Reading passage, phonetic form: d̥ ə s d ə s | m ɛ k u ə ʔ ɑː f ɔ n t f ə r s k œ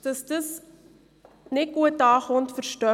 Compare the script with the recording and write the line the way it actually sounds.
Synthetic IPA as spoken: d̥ ə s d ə s | n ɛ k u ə t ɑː χ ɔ n t f ə r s t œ

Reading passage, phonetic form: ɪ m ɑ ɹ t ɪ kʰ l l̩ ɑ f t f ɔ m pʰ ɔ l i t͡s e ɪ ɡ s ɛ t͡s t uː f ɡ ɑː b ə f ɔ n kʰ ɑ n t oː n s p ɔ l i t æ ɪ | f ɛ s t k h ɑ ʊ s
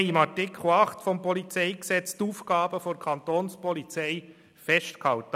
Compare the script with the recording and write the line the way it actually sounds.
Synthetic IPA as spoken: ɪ m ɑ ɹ t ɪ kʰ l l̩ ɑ χ t f ɔ m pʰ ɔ l i t͡s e ɪ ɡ s ɛ t͡s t uː f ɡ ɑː b ə f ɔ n kʰ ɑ n t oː n s p ɔ l i t͡s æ ɪ | f ɛ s t k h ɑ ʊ t

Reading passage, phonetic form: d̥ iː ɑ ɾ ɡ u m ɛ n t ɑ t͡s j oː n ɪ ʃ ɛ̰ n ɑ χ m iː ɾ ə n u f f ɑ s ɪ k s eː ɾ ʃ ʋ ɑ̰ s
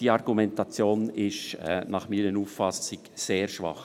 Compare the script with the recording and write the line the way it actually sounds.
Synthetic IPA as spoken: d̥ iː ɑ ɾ ɡ u m ɛ n t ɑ t͡s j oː n ɪ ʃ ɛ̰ n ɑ χ m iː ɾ ə n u f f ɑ s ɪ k s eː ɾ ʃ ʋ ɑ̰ χ

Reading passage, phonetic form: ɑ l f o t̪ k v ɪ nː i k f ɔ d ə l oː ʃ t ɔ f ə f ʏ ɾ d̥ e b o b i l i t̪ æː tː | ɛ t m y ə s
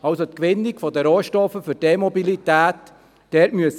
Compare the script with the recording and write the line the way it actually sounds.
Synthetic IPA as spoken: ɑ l s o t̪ k ʋ ɪ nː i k f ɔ d ə ɾ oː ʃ t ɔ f ə f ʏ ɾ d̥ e m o b i l i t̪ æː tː | ɛ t m y ə s

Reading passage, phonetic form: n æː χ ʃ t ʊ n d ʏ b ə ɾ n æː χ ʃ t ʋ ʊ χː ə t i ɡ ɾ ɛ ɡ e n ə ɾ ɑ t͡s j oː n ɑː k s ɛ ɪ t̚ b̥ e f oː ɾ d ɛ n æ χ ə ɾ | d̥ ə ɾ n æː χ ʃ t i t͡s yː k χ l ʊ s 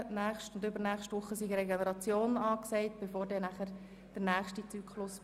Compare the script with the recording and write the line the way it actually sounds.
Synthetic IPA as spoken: n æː χ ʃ t ʊ n d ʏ b ə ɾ n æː χ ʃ t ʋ ʊ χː ə s i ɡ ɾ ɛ ɡ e n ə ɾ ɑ t͡s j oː n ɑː k s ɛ ɪ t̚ b̥ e f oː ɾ d ɛ n æ χ ə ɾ | d̥ ə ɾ n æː χ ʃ t i t͡s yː k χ l ʊ s

